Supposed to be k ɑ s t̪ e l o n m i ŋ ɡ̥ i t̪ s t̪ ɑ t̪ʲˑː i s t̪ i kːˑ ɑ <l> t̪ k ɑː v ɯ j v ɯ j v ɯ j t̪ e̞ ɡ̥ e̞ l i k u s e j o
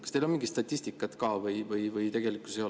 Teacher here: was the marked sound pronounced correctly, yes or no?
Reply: no